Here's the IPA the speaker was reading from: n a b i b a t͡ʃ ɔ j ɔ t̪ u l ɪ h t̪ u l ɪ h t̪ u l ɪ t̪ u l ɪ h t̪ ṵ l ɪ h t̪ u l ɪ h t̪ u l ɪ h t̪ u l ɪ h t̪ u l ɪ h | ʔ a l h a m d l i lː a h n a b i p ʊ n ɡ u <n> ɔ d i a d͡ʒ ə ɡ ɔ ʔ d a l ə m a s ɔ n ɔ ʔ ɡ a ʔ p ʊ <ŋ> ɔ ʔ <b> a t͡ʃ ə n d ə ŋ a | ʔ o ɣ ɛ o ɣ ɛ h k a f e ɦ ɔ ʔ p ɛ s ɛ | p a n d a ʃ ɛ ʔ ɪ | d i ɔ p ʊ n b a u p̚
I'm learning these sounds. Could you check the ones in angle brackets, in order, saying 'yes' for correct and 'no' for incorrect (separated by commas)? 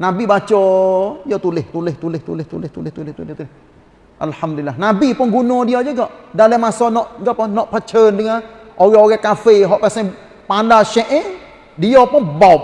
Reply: yes, no, no